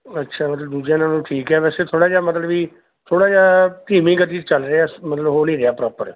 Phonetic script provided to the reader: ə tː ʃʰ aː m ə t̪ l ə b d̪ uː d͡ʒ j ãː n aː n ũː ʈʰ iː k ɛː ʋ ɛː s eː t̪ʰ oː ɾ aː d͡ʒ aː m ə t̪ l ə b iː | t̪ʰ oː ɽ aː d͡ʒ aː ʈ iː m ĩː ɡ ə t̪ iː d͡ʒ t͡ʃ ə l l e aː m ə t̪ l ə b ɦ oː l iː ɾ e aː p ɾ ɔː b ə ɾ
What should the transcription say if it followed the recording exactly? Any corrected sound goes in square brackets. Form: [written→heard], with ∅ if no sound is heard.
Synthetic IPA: ə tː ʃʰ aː m ə t̪ l ə b d̪ uː d͡ʒ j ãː n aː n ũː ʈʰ iː k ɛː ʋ ɛː s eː t̪ʰ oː [ɾ→ɽ] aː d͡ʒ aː m ə t̪ l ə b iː | t̪ʰ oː ɽ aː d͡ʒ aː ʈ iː m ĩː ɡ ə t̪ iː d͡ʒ t͡ʃ ə l [l→ɾ] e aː m ə t̪ l ə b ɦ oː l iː ɾ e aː p ɾ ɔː [b→p] ə ɾ